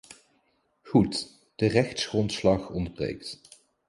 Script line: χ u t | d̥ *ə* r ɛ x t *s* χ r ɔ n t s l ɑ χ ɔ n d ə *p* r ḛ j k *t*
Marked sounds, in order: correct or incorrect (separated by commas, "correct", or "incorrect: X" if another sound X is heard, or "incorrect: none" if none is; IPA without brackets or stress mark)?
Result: correct, correct, incorrect: b, correct